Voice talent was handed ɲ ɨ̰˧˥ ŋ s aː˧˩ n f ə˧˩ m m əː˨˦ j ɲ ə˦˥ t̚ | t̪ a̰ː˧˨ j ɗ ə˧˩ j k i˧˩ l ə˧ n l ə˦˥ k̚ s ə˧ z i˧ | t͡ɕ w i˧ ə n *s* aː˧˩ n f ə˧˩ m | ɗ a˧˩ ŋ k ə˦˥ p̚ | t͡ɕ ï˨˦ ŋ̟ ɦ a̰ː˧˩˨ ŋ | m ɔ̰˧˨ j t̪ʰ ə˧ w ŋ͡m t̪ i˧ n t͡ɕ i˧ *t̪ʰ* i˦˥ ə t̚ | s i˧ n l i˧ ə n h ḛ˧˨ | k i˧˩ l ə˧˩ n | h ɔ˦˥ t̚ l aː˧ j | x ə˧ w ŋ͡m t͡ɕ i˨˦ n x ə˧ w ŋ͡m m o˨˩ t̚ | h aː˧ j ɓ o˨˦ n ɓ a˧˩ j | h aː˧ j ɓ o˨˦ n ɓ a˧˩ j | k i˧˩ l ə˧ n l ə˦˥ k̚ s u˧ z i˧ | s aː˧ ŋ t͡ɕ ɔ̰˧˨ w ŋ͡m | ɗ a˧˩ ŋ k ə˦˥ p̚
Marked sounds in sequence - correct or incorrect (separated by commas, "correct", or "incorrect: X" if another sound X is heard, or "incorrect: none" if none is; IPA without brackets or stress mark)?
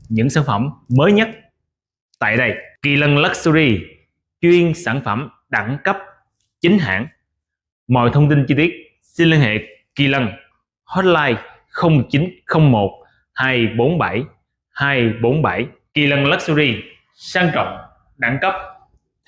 correct, incorrect: t̪